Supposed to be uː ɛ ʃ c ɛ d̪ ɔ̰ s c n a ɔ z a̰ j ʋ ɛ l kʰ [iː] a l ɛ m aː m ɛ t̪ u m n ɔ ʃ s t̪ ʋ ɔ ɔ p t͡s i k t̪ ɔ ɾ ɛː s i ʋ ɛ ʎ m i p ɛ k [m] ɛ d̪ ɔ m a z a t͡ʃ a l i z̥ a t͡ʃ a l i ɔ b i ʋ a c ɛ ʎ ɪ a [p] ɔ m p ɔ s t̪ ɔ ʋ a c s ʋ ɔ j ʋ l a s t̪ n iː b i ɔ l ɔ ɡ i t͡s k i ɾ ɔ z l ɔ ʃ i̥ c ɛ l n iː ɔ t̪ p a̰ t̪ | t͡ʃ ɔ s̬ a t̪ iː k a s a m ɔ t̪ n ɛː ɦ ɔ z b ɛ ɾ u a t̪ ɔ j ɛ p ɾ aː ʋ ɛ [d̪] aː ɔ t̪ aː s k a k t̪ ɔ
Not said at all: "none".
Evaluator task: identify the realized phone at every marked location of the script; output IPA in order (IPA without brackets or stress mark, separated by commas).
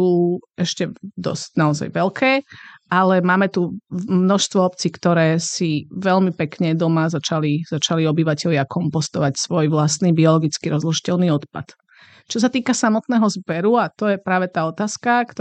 ɛː, ɲ, k, t̪